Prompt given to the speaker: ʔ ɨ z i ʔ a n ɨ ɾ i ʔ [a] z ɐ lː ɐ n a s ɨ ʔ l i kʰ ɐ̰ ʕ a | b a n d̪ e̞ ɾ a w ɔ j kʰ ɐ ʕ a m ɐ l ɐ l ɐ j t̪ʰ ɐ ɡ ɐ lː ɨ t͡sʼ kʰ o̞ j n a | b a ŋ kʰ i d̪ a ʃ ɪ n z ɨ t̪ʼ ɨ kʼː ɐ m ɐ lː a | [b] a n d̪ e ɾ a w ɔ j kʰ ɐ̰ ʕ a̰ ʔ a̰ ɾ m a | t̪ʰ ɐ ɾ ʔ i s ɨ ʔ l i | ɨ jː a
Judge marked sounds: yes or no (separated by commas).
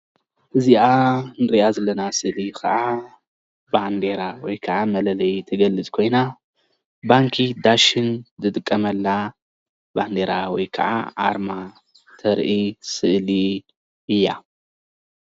yes, yes